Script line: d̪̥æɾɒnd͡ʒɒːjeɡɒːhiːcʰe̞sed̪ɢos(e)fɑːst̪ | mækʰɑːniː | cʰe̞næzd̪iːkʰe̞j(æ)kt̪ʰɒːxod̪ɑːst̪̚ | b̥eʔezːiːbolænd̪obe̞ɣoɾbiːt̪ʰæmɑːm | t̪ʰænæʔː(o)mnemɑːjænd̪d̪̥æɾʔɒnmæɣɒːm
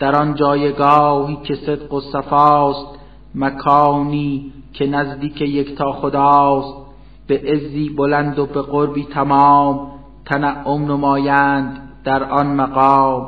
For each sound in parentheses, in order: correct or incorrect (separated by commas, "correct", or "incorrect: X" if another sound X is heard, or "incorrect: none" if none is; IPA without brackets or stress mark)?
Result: incorrect: æ, incorrect: e, correct